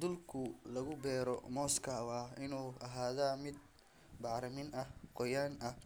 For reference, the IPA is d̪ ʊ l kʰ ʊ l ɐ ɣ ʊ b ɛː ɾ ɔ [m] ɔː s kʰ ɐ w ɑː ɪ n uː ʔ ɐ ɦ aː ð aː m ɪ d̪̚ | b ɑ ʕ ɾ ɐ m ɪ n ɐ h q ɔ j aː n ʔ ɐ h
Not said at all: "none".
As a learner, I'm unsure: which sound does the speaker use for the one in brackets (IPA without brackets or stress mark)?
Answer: m